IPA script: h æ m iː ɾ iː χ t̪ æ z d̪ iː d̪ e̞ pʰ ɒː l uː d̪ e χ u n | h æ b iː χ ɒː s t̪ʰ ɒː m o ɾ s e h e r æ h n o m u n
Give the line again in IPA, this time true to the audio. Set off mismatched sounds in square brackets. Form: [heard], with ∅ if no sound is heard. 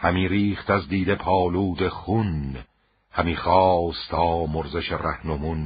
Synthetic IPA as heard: h æ m iː ɾ iː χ t̪ æ z d̪ iː d̪ e̞ pʰ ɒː l uː d̪ e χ u n | h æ [m] iː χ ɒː s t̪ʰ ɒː m o ɾ [z] e [ʃ] e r æ h n o m u n